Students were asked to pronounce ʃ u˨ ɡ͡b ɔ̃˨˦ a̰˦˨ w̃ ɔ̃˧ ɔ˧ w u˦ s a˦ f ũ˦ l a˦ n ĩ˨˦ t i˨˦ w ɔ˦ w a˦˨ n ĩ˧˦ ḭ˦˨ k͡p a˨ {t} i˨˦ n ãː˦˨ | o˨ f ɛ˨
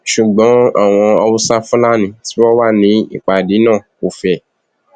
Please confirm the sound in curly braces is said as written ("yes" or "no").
no